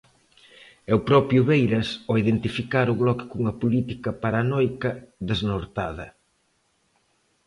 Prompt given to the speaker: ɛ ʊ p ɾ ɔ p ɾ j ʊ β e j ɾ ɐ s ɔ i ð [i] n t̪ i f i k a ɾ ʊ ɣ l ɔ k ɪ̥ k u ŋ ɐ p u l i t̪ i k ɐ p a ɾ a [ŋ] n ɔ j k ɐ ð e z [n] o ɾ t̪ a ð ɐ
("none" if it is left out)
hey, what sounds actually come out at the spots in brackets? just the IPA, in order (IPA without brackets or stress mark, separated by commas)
e, none, n